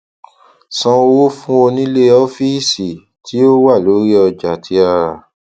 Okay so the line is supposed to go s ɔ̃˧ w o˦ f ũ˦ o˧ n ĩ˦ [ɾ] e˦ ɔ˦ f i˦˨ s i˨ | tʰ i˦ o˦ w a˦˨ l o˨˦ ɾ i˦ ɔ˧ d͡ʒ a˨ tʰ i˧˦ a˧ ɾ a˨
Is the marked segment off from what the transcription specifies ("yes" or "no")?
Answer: yes